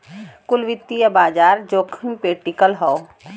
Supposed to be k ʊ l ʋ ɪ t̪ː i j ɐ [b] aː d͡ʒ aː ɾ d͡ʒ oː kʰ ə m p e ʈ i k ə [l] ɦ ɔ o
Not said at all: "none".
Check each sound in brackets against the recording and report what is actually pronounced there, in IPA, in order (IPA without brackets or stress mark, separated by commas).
b, l